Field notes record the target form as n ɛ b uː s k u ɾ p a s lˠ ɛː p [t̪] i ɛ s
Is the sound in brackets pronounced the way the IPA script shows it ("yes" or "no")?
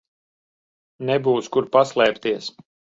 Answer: yes